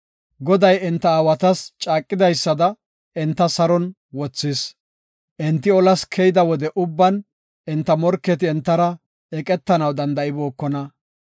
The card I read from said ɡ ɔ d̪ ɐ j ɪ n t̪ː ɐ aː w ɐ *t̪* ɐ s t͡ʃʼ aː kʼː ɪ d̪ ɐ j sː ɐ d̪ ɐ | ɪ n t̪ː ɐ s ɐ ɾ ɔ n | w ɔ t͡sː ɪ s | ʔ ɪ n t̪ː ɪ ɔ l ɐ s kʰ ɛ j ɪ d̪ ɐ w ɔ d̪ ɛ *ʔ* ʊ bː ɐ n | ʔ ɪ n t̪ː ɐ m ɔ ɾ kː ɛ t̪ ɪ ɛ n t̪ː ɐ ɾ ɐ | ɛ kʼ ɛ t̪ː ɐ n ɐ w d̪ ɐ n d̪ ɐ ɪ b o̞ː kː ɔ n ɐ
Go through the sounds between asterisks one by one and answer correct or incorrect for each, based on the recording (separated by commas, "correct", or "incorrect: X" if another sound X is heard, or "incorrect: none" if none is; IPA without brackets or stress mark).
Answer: correct, correct